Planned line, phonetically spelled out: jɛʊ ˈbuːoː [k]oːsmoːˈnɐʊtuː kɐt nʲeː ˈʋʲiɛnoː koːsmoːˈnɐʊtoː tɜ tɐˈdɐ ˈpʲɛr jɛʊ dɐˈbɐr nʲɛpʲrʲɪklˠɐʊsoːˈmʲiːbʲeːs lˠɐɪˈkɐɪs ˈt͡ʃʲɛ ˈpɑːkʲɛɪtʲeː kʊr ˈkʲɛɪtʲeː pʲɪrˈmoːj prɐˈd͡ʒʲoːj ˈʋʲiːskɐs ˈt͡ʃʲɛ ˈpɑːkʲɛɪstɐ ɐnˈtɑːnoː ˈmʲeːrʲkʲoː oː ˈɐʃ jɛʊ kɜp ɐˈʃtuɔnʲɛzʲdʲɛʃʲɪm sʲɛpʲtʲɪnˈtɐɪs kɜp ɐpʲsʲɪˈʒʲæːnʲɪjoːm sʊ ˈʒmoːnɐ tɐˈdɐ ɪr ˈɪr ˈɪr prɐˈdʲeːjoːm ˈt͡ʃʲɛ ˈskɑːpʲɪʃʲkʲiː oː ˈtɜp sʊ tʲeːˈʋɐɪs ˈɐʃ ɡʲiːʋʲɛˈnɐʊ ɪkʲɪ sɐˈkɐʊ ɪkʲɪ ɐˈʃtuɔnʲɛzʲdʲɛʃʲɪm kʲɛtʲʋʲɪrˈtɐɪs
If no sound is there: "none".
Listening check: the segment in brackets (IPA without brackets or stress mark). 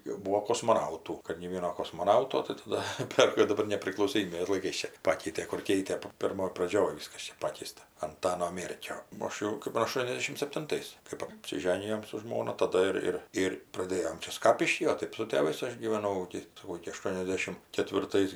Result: k